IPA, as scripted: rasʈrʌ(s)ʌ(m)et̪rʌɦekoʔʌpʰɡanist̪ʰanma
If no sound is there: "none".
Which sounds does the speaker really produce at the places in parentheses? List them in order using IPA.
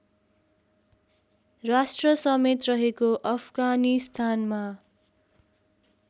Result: s, m

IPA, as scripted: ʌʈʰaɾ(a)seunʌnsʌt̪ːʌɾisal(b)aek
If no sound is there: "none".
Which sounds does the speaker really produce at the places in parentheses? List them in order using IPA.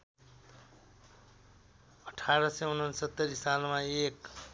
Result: ʌ, m

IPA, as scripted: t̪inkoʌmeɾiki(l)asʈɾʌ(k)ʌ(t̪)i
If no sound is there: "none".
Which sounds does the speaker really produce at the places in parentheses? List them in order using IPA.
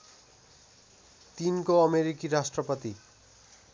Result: ɾ, p, t̪

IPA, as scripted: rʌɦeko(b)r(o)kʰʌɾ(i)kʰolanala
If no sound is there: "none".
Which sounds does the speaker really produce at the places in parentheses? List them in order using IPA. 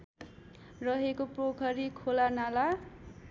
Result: p, o, i

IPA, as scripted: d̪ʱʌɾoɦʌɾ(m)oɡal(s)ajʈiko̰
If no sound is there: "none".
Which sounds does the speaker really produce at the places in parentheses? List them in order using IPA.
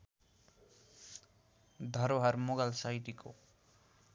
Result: m, s

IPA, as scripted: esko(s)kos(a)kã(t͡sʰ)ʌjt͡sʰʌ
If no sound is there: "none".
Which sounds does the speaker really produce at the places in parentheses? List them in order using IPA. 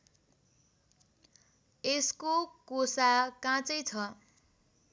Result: none, a, t͡s

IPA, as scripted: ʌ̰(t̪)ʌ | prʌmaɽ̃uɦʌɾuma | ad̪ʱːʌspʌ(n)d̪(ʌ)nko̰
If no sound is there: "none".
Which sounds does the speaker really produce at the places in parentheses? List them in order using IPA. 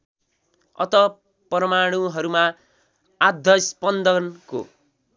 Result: t̪, n, ʌ

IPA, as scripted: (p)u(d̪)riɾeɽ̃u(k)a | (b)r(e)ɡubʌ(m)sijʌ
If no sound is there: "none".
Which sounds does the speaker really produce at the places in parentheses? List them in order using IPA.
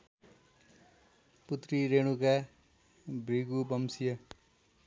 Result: p, t̪, k, b, i, m

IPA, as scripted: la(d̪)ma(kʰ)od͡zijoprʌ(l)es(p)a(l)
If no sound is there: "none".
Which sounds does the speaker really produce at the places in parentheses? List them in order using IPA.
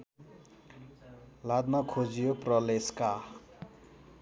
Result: d̪, kʰ, l, k, none

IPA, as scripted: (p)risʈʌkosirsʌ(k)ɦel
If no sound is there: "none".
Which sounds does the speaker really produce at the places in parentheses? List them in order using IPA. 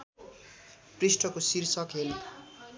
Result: p, k

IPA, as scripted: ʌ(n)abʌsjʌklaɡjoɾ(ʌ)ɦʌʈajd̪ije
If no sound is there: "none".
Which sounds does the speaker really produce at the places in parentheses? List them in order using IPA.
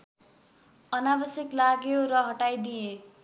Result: n, ʌ

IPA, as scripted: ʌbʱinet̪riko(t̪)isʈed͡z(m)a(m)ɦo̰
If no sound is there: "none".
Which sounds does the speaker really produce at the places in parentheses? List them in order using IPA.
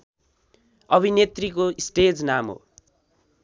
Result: none, n, m

